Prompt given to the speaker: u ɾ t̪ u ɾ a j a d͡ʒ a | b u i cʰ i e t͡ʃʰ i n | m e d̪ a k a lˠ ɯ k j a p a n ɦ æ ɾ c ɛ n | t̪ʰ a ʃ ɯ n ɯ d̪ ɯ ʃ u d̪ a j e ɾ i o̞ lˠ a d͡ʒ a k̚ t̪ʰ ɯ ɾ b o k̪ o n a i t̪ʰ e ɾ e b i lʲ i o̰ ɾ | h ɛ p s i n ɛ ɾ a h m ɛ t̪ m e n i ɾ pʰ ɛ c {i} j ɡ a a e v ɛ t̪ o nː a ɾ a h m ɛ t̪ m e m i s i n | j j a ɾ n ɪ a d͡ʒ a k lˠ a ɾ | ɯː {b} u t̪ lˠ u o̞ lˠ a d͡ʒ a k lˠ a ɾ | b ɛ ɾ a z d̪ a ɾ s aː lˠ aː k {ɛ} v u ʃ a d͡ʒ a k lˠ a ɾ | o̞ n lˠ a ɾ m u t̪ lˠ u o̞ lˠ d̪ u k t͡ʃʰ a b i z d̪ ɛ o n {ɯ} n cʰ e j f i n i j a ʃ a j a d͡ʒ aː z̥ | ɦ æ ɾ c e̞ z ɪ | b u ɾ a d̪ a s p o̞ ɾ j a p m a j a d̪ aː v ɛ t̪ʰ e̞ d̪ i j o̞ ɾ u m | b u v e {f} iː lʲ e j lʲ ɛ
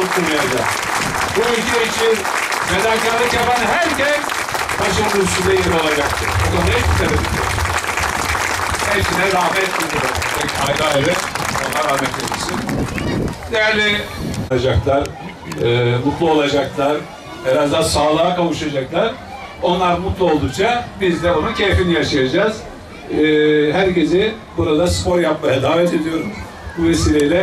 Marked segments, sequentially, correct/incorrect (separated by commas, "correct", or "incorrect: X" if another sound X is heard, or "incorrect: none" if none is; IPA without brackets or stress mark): incorrect: a, incorrect: m, incorrect: a, incorrect: u, incorrect: s